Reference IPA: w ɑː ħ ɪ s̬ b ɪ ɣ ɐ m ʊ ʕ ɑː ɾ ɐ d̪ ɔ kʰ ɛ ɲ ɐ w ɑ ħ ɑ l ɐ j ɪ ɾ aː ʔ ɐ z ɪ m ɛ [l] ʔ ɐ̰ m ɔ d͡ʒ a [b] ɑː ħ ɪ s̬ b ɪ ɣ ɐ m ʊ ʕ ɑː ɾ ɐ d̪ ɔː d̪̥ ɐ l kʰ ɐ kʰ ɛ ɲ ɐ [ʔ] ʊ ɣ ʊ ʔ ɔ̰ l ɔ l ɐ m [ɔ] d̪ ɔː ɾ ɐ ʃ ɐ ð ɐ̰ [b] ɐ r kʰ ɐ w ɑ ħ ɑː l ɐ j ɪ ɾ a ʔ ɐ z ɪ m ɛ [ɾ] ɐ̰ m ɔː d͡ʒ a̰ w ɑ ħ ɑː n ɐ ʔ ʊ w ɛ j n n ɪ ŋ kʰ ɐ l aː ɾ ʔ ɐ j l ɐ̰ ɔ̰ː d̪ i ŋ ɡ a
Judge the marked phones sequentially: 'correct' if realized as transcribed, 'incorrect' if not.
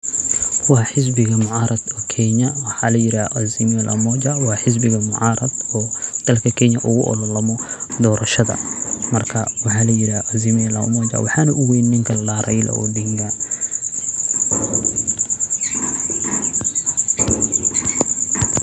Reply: correct, incorrect, correct, correct, incorrect, incorrect

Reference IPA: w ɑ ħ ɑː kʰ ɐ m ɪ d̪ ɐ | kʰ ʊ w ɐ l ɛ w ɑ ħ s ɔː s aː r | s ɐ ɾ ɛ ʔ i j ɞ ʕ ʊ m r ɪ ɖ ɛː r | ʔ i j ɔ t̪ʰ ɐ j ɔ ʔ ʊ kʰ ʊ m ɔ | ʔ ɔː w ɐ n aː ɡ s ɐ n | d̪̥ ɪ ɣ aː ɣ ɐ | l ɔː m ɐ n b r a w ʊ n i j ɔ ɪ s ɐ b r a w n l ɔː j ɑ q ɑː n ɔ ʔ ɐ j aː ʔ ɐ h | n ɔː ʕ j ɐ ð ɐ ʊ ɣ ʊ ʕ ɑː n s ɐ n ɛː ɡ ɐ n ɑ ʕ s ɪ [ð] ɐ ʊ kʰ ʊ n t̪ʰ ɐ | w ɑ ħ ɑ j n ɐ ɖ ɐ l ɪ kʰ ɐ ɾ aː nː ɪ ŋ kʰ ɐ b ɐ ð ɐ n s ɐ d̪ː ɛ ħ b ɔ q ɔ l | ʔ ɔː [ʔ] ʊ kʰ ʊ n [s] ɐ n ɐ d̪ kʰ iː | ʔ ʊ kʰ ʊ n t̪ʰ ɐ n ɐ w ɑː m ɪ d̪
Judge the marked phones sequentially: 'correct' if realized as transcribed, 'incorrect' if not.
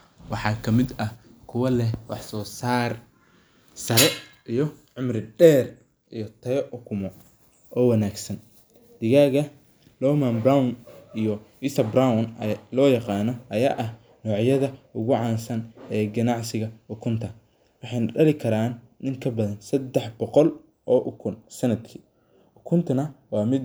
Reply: incorrect, correct, correct

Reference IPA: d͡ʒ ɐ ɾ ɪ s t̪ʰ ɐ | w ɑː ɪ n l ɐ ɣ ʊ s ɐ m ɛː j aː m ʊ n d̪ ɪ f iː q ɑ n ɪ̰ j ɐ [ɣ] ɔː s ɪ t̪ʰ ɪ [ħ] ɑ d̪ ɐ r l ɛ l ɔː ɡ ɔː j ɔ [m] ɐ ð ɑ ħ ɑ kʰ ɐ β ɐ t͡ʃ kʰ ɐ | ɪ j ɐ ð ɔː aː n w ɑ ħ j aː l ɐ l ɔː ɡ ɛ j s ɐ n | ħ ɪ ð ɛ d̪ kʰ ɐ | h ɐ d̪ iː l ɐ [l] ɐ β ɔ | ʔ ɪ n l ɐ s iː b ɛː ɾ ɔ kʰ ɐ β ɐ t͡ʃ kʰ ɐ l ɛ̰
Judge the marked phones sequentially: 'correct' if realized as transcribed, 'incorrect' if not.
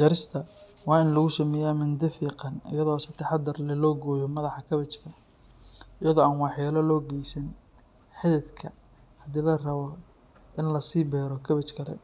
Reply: incorrect, correct, correct, incorrect

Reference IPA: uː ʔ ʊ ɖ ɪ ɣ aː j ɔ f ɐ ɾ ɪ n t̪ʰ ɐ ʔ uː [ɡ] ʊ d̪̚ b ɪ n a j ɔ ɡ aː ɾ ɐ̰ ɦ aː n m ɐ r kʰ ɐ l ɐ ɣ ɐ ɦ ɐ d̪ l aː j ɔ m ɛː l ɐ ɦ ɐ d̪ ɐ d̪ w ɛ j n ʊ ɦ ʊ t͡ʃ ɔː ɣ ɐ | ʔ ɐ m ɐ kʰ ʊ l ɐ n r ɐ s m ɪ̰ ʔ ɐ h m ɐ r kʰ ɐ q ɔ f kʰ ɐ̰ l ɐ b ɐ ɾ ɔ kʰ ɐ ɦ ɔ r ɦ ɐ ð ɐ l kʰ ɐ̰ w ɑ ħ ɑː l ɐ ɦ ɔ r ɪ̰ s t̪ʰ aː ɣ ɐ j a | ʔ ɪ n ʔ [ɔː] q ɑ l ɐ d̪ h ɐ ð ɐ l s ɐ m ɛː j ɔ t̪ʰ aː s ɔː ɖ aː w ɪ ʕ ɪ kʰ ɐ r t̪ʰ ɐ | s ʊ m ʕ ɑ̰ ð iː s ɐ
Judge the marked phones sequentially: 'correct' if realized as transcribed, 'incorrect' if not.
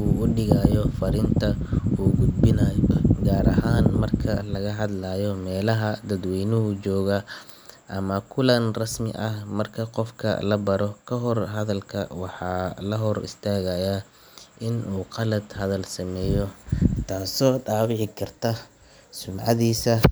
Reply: correct, incorrect

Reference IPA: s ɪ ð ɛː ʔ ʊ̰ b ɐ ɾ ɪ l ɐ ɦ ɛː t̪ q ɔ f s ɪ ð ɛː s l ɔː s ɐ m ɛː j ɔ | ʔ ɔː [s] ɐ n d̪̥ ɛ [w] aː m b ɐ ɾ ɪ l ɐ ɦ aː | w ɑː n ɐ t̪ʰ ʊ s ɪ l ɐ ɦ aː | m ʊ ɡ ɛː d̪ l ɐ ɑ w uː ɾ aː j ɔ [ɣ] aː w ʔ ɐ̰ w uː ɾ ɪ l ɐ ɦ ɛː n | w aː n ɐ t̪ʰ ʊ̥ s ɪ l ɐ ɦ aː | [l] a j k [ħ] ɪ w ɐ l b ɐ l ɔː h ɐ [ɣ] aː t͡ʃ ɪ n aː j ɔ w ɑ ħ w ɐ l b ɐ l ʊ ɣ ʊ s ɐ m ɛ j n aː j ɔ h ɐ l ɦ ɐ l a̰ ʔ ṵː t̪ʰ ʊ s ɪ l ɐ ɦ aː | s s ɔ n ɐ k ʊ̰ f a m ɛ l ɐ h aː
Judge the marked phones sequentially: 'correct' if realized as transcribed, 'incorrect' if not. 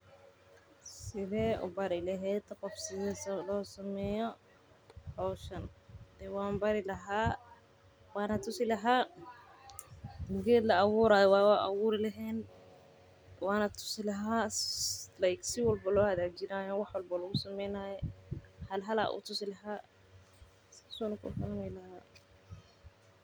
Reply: incorrect, correct, incorrect, correct, incorrect, incorrect

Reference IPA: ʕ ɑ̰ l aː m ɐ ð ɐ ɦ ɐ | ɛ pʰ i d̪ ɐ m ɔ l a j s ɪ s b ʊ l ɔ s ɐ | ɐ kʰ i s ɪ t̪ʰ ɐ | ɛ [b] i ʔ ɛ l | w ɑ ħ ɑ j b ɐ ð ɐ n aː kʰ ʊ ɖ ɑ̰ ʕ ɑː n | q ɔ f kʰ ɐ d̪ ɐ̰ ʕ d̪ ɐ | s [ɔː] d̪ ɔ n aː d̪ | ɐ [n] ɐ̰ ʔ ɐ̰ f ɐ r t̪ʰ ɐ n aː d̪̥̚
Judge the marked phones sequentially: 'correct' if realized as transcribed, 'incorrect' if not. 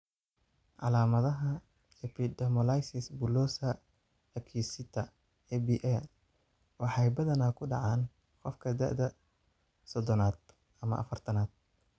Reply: correct, incorrect, incorrect

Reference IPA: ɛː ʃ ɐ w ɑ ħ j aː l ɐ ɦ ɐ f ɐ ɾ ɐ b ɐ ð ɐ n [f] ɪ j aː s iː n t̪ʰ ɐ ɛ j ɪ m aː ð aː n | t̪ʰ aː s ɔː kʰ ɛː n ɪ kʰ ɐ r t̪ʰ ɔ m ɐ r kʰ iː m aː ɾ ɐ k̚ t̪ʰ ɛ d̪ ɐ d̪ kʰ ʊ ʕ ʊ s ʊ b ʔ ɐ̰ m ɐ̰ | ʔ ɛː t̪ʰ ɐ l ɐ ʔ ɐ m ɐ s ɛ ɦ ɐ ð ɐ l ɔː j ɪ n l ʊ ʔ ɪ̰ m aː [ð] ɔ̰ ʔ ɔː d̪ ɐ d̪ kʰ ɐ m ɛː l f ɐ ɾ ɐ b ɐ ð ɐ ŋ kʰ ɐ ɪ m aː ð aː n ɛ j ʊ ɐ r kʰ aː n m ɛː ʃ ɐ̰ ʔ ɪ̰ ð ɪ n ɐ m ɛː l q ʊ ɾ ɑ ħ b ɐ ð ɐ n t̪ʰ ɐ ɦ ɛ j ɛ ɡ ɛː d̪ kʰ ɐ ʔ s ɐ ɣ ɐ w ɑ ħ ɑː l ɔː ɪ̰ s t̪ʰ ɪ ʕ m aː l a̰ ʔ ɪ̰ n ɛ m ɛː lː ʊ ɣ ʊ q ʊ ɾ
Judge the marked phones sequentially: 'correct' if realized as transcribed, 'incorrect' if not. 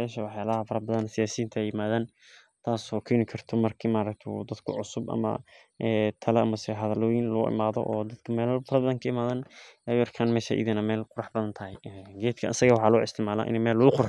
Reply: incorrect, correct

